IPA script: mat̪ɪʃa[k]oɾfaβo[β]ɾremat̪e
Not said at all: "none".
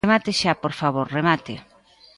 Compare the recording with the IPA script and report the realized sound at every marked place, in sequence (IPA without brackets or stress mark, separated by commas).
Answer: p, none